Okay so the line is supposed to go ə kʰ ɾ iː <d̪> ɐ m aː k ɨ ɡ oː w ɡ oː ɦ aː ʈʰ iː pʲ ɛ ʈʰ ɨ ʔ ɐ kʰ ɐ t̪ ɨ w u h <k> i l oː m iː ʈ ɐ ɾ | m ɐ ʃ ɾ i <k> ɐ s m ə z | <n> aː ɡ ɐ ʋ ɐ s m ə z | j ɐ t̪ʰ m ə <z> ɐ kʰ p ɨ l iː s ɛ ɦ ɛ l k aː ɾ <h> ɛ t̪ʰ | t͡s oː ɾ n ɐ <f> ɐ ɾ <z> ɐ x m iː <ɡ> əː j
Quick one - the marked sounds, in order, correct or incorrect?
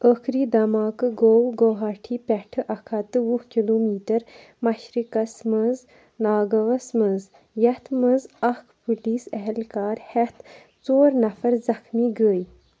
correct, correct, correct, correct, correct, correct, correct, correct, correct

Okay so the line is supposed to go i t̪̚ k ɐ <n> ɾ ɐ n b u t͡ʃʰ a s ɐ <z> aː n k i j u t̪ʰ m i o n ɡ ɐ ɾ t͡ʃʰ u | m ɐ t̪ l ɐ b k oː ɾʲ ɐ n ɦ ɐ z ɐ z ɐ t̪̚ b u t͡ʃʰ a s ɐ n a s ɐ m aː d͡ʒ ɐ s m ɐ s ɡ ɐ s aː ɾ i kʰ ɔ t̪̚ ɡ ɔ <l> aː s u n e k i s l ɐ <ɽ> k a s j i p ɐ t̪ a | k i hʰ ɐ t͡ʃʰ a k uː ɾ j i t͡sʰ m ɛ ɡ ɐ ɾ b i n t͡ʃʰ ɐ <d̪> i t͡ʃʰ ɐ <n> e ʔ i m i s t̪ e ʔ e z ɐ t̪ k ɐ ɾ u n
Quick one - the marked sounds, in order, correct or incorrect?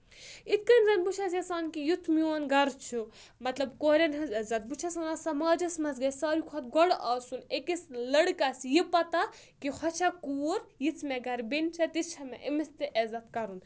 correct, incorrect, incorrect, correct, incorrect, incorrect

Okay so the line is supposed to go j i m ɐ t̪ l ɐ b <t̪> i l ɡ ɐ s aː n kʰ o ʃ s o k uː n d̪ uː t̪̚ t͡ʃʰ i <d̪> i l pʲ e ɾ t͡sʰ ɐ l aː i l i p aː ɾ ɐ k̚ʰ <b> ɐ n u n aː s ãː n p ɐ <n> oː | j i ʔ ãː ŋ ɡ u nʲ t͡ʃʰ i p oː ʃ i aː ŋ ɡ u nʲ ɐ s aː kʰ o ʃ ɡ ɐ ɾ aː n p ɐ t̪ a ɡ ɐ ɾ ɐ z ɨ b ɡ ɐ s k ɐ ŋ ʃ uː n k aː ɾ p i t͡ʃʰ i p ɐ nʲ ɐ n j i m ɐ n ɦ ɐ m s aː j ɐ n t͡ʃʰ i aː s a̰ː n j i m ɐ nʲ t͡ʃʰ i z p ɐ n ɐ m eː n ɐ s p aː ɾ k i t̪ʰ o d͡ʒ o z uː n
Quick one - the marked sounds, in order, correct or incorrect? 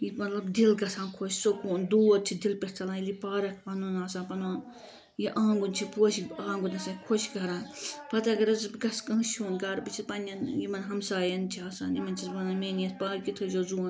incorrect, correct, incorrect, correct

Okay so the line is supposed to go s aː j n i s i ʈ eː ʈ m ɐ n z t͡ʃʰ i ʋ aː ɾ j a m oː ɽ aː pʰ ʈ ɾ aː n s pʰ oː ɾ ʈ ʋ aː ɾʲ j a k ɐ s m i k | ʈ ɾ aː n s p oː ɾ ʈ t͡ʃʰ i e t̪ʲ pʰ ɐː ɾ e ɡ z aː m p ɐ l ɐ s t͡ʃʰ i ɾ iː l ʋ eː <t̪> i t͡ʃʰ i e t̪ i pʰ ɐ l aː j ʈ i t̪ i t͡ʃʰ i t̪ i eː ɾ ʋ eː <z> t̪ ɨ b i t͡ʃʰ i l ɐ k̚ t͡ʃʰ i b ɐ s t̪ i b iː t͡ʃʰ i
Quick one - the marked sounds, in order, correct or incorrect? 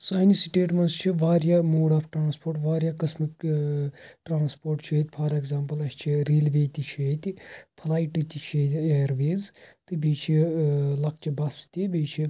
correct, correct

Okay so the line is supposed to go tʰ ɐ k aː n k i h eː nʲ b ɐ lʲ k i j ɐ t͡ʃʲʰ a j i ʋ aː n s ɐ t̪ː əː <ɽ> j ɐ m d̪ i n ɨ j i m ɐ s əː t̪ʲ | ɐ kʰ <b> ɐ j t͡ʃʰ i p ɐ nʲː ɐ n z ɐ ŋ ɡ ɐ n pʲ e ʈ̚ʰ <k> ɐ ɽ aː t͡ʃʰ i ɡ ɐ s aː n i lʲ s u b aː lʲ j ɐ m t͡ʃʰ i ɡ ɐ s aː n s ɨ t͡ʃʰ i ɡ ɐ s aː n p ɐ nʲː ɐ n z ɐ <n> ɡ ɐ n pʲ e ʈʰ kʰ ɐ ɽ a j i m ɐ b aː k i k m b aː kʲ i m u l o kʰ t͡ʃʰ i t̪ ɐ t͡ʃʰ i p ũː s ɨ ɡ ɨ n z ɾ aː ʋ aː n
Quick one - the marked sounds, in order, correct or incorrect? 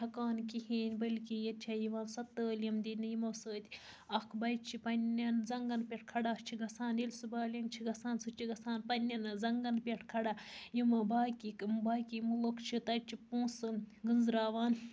incorrect, correct, incorrect, incorrect

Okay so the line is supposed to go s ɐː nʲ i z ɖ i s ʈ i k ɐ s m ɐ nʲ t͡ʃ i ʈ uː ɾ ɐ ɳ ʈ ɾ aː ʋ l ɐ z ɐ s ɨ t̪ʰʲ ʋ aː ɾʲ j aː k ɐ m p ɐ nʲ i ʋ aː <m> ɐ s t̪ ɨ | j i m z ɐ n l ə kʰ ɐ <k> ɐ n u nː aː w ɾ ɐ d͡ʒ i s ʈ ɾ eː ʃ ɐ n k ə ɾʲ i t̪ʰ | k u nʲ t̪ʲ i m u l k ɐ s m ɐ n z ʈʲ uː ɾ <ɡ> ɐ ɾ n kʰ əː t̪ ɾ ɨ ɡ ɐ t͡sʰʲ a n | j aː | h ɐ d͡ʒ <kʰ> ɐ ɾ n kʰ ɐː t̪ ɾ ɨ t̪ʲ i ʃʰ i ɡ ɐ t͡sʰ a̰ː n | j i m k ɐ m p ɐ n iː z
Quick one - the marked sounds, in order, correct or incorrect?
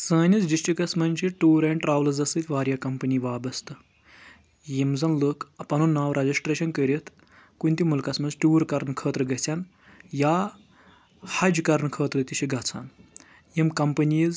incorrect, incorrect, incorrect, incorrect

